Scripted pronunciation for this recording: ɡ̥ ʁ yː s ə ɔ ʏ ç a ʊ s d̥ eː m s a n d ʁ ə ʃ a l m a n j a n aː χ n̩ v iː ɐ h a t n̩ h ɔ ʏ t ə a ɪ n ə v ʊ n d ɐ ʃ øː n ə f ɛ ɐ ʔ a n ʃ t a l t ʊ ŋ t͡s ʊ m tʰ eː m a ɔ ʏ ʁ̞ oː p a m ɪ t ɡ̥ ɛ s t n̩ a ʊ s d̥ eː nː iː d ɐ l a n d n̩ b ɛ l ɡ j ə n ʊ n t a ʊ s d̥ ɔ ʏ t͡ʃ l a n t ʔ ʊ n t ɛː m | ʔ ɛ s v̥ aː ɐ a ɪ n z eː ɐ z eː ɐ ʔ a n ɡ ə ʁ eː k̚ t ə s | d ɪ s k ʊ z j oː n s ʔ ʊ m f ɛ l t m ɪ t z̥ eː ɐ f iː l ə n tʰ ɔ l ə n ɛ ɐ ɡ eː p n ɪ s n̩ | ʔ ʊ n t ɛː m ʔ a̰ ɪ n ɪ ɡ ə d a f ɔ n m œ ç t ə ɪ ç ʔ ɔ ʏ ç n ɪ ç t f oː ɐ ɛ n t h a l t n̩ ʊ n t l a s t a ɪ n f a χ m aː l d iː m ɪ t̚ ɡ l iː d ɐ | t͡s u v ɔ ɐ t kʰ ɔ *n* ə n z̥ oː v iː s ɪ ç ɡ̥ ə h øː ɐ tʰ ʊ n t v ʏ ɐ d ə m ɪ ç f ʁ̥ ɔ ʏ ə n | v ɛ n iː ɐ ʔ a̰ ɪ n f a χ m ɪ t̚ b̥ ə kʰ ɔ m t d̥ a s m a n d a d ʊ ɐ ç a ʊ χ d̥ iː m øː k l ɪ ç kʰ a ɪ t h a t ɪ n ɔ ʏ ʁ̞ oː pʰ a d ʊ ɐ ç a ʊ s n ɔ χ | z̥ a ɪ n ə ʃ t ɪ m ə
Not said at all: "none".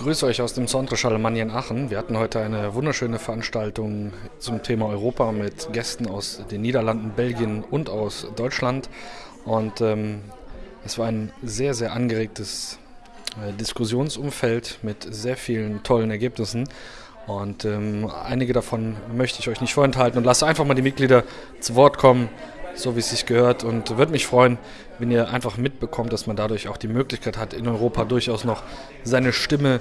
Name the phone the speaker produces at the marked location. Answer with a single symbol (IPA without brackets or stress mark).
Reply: m